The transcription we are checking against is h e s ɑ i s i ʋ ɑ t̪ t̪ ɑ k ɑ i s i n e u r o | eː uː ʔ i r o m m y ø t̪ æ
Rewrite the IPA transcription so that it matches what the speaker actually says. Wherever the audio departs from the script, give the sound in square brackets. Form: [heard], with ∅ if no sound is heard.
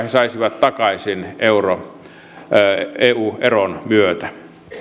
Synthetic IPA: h e s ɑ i s i ʋ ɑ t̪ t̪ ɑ k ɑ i s i n e u r o | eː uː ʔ [e] r o [n] m y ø t̪ æ